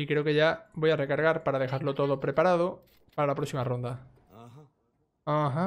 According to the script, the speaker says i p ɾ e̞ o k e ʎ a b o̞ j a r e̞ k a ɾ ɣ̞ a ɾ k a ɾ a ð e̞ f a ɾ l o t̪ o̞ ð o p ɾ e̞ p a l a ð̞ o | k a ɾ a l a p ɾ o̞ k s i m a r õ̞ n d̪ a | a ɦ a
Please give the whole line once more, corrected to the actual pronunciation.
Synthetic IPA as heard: i k ɾ e̞ o k e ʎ a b o̞ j a r e̞ k a ɾ ɣ̞ a ɾ p a ɾ a ð e̞ x a ɾ l o t̪ o̞ ð o p ɾ e̞ p a ɾ a ð̞ o | p a ɾ a l a p ɾ o̞ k s i m a r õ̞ n d̪ a | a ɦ a